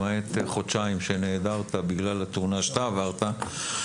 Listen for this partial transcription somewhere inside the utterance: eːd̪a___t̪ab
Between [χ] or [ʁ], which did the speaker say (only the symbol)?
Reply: ʁ